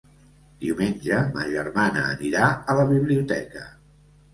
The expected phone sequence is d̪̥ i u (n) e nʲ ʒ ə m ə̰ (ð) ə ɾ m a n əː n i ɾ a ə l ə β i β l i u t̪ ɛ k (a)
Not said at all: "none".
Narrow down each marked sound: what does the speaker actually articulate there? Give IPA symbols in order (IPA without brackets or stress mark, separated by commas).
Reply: m, ʒ, ə